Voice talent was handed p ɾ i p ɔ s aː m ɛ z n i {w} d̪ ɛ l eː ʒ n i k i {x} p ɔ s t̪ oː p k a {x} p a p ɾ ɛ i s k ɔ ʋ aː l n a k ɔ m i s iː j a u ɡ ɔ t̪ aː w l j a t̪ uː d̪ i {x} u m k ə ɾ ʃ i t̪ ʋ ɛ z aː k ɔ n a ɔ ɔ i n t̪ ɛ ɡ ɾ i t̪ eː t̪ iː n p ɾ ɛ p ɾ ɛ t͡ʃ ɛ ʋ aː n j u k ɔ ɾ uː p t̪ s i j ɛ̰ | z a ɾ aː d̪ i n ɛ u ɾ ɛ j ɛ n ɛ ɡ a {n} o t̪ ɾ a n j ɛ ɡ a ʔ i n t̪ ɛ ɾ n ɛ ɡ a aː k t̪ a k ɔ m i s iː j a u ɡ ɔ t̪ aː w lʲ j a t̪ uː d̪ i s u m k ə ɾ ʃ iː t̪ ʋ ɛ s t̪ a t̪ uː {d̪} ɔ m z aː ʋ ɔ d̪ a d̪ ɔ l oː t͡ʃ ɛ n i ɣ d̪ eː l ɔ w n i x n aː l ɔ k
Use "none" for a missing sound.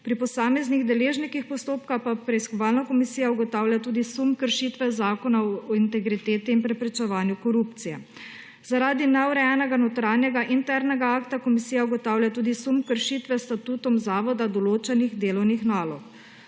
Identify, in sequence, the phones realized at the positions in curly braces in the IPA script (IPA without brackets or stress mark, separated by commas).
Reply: ɣ, x, x, s, n, t̪